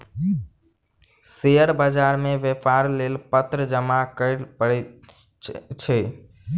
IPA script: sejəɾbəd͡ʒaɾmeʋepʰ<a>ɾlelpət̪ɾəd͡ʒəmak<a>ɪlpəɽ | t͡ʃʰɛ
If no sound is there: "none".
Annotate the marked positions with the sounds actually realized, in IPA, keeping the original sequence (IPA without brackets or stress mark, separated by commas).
a, ə